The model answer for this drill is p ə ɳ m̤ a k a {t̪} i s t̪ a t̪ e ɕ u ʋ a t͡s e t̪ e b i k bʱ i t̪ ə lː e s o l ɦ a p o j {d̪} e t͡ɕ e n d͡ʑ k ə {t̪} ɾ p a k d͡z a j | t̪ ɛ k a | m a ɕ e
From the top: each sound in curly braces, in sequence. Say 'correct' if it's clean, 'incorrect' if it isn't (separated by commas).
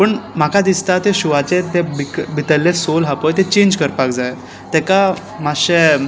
incorrect, incorrect, incorrect